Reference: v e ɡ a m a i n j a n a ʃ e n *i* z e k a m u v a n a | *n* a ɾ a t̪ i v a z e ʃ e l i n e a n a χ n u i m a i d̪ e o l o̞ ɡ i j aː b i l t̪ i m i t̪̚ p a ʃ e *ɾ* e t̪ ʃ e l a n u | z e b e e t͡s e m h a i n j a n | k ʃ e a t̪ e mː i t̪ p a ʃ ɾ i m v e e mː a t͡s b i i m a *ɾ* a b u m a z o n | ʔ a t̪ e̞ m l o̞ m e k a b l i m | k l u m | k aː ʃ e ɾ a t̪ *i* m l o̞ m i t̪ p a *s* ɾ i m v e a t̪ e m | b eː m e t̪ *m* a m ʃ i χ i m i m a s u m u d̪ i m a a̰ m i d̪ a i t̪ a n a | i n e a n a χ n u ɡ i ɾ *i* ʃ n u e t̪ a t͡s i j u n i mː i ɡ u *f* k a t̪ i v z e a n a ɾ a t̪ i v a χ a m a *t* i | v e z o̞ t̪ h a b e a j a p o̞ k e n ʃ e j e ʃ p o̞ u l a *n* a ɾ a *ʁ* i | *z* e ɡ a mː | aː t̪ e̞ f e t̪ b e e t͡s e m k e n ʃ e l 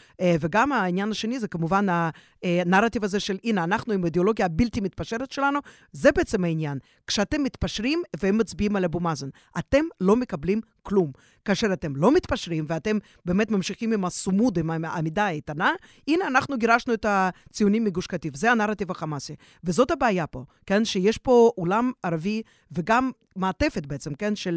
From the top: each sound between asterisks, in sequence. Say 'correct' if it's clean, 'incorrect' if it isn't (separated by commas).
correct, correct, correct, incorrect, incorrect, incorrect, correct, incorrect, incorrect, incorrect, incorrect, incorrect, incorrect